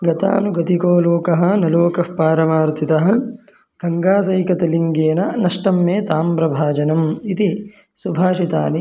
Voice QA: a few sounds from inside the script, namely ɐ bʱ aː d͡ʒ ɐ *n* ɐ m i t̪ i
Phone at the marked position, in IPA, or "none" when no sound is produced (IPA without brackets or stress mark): n